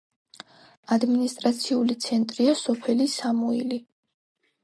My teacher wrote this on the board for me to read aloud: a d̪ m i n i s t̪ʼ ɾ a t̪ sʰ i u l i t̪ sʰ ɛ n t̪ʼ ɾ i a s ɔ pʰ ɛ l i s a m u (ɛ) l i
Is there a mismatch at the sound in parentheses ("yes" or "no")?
yes